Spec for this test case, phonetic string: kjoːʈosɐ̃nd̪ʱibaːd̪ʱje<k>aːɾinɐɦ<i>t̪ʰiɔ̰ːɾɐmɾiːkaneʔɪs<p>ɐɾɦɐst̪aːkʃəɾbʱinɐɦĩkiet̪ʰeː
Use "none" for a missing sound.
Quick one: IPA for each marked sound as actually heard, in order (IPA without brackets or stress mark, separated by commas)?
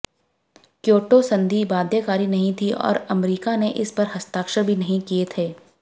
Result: k, ĩ, p